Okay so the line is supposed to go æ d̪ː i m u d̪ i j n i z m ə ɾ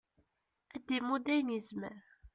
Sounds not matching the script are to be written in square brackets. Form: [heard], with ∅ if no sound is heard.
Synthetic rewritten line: æ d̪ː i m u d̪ [æ] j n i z m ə ɾ